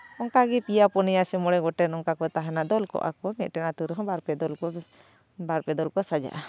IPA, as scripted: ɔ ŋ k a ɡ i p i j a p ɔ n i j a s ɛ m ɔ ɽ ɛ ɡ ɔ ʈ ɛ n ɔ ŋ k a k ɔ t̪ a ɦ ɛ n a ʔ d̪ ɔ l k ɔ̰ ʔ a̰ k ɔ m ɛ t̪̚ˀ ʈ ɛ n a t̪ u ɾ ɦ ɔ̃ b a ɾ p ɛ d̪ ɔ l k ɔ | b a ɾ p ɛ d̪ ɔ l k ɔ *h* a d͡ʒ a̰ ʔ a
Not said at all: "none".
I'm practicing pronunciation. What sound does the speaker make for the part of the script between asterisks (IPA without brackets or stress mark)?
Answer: s